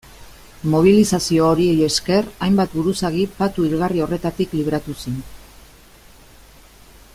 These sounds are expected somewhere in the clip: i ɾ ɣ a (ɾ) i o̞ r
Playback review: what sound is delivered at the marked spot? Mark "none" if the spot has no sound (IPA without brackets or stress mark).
r